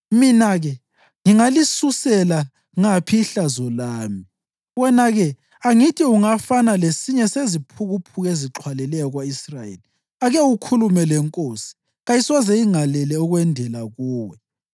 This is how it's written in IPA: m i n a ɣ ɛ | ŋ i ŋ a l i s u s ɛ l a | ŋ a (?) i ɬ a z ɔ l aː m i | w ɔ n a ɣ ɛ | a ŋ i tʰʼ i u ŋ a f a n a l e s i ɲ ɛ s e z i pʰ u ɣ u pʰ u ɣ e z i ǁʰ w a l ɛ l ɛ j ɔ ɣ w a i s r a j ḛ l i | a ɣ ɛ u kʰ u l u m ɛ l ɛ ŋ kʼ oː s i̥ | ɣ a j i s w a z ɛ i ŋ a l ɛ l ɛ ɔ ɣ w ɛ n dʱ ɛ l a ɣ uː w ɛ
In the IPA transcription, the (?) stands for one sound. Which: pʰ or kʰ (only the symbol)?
pʰ